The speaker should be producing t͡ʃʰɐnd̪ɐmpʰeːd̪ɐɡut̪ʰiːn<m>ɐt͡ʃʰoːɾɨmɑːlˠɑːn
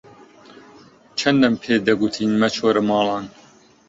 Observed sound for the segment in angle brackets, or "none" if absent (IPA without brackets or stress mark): m